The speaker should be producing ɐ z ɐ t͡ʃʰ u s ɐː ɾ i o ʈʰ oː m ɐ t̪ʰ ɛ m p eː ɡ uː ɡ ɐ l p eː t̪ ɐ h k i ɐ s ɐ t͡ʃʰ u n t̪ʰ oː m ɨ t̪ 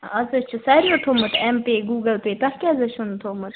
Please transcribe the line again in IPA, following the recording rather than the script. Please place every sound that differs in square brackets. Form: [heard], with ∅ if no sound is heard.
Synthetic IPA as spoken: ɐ z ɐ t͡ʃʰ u s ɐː ɾ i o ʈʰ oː m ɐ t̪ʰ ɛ m p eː ɡ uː ɡ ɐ l p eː t̪ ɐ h k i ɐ [z] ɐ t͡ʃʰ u n t̪ʰ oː m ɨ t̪

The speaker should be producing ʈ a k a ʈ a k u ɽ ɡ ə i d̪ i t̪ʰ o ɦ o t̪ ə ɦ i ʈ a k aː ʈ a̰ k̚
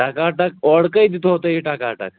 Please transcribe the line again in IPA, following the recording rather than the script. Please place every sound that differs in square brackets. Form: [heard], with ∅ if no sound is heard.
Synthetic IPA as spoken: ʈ a k a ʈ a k [ɔ] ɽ [k] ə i d̪ i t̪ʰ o ɦ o t̪ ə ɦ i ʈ a k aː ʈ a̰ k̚

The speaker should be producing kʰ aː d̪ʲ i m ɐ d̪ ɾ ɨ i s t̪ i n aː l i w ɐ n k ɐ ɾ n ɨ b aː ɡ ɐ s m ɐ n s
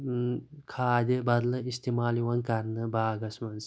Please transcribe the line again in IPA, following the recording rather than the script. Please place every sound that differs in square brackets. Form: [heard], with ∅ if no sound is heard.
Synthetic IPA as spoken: kʰ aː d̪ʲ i [b] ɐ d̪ [l] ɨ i s t̪ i [m] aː l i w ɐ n k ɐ ɾ n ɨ b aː ɡ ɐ s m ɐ n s

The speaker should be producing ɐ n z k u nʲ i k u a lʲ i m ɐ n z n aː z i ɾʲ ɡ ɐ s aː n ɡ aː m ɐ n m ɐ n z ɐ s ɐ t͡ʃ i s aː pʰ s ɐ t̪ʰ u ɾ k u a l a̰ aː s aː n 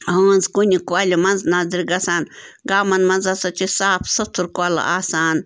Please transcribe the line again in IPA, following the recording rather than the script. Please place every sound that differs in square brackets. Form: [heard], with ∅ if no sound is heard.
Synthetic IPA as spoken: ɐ n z k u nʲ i k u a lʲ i m ɐ n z n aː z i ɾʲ ɡ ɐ s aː n ɡ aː m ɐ n m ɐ n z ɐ s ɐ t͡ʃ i s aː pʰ s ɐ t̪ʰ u ɾ k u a l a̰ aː s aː n

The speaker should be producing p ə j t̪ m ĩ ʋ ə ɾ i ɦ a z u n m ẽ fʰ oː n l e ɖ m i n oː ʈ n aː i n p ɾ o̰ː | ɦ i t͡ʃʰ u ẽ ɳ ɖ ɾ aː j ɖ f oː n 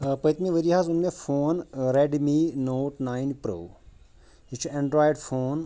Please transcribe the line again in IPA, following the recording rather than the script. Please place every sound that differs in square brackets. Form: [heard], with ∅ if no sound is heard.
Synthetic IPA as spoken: p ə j t̪ m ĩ ʋ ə ɾ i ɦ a z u n m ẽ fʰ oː n [ɾ] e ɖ m i n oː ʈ n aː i n p ɾ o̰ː | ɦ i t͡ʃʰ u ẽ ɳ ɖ ɾ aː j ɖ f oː n

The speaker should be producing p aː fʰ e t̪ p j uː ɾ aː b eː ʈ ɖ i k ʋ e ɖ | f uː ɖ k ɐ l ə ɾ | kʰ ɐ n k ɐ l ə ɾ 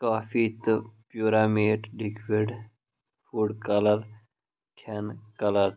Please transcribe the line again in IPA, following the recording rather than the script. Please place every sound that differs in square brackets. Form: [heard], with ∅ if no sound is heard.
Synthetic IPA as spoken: [k] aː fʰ [i] t̪ p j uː ɾ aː [m] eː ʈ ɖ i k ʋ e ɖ | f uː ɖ k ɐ l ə ɾ | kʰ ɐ n k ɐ l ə ɾ

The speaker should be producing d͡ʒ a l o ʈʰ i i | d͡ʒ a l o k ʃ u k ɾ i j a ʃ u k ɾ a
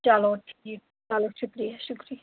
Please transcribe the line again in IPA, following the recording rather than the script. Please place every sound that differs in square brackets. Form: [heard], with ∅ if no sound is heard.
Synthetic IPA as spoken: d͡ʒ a l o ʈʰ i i | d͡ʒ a l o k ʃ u k ɾ i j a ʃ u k ɾ [i]

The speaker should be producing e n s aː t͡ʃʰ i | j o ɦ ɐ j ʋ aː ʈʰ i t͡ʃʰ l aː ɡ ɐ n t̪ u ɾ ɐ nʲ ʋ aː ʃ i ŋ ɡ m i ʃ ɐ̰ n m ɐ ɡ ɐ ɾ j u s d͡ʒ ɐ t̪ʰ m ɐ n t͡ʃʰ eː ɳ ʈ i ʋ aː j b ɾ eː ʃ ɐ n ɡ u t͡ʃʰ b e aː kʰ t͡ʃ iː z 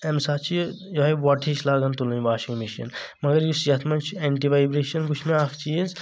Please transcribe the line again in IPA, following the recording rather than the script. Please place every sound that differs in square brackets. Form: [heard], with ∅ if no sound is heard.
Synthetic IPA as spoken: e [m] s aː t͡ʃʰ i | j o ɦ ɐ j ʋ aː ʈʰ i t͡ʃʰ l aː ɡ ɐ n t̪ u [l] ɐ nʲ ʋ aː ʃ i ŋ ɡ m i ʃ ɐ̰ n m ɐ ɡ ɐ ɾ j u s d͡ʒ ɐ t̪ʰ m ɐ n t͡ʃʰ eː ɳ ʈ i ʋ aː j b ɾ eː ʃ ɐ n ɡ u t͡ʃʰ [m] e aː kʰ t͡ʃ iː z

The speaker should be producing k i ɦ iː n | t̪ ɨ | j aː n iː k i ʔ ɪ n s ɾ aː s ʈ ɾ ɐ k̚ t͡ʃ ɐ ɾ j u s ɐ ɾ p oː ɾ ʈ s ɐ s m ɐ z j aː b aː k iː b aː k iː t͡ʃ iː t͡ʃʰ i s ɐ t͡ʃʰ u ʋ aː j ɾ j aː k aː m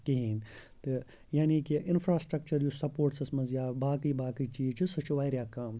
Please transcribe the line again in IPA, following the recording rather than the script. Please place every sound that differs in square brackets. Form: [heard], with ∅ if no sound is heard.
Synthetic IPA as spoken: k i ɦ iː n | t̪ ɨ | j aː n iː k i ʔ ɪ n [f] ɾ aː s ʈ ɾ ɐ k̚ t͡ʃ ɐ ɾ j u s ɐ [∅] p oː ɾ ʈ s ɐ s m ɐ z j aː b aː k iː b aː k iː t͡ʃ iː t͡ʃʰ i s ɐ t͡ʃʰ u ʋ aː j ɾ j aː k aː m

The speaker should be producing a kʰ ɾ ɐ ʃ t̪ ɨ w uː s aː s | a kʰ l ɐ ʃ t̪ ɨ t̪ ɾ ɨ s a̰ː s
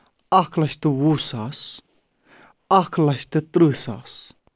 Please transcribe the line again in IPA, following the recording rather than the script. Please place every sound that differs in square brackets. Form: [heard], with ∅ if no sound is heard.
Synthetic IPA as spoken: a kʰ [l] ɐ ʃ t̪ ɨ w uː s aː s | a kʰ l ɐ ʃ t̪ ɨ t̪ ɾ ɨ s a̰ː s

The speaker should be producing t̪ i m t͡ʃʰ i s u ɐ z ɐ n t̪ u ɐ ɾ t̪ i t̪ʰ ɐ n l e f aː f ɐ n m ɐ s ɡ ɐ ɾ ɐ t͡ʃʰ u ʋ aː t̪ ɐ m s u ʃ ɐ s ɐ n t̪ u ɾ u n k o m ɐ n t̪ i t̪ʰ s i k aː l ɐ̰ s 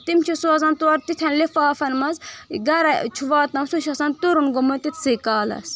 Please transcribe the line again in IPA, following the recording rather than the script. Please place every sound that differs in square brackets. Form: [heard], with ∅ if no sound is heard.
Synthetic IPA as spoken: t̪ i m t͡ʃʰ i s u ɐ z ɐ n t̪ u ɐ ɾ t̪ i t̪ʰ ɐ n l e f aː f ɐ n m ɐ [z] ɡ ɐ ɾ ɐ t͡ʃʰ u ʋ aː t̪ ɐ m s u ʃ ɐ s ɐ n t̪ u ɾ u n [ɡ] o m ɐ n t̪ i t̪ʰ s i k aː l ɐ̰ s

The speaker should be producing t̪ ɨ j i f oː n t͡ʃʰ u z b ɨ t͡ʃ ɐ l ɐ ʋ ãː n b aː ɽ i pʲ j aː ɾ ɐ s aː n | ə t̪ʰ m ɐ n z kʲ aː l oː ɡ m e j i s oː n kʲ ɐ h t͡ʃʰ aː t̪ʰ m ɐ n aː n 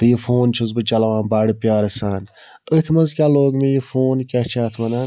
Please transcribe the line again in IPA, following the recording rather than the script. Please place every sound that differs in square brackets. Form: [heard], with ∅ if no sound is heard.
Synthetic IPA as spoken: t̪ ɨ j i f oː n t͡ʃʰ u z b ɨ t͡ʃ ɐ l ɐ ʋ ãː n b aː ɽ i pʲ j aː ɾ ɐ s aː n | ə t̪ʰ m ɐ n z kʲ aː l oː ɡ m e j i [f] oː n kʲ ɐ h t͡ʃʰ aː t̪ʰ m ɐ n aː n

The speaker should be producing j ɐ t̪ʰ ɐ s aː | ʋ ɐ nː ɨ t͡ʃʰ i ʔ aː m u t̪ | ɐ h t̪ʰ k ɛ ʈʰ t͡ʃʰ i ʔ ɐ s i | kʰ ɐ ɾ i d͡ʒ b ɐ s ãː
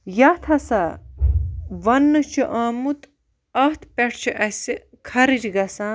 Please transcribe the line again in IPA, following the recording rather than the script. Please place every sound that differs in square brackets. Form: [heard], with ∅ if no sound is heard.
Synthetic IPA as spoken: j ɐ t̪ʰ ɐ s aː | ʋ ɐ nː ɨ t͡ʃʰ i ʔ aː m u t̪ | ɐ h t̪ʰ [p] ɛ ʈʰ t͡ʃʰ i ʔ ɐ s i | kʰ ɐ ɾ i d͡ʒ [ɡ] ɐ s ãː

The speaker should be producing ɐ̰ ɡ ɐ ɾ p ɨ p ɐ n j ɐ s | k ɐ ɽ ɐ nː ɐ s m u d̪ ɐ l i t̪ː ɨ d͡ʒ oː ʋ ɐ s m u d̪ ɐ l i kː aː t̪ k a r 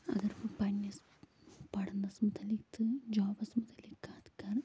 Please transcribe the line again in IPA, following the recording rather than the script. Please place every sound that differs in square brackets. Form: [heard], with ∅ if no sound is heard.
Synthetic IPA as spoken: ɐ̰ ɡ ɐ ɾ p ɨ p ɐ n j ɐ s | [p] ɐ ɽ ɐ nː ɐ s m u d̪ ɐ l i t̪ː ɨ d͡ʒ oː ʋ ɐ s m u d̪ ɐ l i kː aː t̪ k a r

